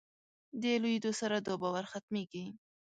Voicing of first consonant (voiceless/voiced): voiced